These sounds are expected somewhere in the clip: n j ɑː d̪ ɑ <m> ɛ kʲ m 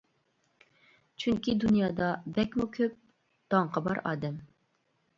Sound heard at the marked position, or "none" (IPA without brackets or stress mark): b